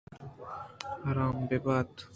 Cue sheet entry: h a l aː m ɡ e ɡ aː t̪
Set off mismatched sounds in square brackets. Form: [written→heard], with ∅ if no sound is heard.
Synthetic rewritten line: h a [l→ɾ] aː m [ɡ→b] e [ɡ→b] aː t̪